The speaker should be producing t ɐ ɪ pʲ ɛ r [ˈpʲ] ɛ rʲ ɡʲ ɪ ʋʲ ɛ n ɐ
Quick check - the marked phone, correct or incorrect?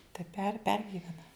correct